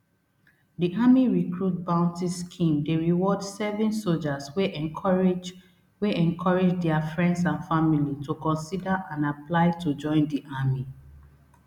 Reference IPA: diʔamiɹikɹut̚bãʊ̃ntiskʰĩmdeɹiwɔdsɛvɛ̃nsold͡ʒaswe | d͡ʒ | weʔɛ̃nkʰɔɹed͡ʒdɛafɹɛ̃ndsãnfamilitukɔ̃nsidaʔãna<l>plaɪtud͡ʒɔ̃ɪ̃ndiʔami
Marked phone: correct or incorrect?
incorrect